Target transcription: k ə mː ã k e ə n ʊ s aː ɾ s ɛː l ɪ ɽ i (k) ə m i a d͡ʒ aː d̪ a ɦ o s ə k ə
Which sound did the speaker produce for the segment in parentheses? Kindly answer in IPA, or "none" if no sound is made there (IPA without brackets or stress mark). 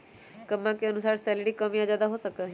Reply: k